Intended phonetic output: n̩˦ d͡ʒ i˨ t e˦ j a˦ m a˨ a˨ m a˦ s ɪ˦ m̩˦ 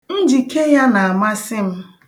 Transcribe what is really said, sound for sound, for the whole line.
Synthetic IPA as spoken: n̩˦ d͡ʒ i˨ k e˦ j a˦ n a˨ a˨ m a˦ s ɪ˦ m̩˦